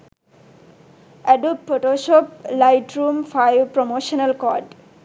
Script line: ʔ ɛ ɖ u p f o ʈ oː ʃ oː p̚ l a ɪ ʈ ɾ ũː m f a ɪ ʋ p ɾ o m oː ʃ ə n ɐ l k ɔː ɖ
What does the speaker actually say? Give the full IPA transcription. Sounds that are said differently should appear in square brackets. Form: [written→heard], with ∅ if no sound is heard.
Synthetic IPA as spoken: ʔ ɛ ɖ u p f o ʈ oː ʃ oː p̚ l a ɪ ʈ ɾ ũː m f a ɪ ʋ p ɾ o m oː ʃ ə n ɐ l k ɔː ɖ